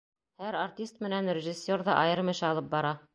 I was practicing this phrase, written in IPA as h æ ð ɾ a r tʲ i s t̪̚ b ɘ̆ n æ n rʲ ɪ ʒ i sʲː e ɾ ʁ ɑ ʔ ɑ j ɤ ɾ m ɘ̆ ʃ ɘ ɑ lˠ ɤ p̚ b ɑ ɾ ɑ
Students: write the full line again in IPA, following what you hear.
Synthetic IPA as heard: h æ ɾ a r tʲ i s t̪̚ m ɘ̆ n æ n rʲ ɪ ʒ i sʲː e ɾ ð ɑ ʔ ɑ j ɤ ɾ m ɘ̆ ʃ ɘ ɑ lˠ ɤ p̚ b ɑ ɾ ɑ